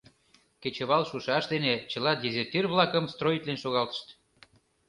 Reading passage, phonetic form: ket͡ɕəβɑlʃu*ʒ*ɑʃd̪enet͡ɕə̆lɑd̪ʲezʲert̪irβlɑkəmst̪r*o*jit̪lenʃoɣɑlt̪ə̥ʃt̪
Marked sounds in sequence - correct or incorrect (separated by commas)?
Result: incorrect, correct